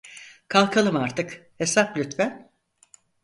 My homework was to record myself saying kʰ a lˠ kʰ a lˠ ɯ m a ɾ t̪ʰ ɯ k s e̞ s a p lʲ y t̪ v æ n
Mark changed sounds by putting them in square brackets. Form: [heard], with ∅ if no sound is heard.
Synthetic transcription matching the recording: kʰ a lˠ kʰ a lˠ ɯ m a ɾ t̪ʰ ɯ k [h] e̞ s a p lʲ y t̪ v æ n